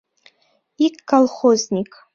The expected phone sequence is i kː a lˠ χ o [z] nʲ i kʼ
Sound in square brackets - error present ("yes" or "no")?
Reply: no